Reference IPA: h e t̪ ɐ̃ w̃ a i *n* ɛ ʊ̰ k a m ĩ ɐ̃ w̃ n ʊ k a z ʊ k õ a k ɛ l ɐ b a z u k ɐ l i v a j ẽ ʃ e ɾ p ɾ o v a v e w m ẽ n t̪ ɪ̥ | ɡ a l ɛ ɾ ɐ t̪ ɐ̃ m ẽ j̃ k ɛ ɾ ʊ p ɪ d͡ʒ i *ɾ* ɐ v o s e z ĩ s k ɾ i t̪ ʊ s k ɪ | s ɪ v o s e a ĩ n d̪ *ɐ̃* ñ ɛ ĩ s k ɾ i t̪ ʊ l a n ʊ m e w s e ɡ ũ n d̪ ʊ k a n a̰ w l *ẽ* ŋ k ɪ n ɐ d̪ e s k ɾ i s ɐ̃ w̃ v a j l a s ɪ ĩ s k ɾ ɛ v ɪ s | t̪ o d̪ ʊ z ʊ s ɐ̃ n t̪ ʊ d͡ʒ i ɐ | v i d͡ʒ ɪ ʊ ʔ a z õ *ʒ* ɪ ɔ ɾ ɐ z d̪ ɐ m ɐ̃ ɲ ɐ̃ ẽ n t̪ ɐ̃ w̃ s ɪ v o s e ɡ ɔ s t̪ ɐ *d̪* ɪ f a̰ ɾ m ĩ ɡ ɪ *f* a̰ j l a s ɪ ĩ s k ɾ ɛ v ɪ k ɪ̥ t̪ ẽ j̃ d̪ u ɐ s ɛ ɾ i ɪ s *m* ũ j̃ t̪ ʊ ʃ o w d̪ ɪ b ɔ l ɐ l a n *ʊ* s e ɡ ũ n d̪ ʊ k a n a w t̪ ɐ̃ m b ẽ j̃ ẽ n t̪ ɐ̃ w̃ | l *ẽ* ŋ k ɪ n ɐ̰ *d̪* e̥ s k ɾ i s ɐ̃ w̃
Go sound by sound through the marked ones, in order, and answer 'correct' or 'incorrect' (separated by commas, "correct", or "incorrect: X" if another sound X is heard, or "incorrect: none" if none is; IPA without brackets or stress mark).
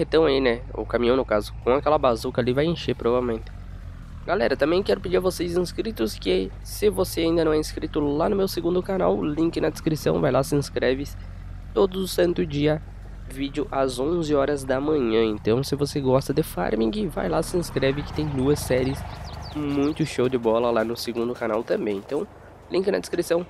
correct, correct, incorrect: ɐ, incorrect: ĩ, incorrect: z, correct, incorrect: v, correct, correct, incorrect: ĩ, correct